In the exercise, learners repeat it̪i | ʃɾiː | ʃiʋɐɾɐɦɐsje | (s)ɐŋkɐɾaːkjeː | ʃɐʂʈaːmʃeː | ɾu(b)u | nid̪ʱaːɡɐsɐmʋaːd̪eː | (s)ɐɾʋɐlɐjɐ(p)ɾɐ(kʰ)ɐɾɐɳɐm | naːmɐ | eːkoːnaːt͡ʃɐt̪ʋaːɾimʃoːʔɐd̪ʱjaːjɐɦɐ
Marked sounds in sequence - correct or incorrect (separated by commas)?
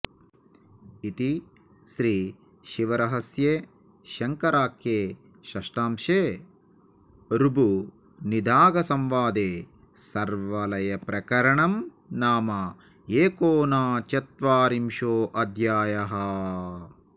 incorrect, correct, correct, correct, incorrect